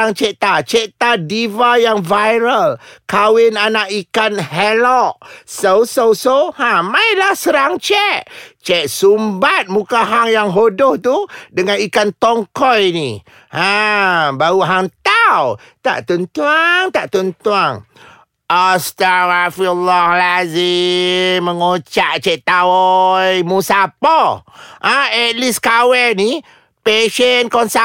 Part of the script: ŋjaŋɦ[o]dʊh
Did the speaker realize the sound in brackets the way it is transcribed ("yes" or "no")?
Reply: yes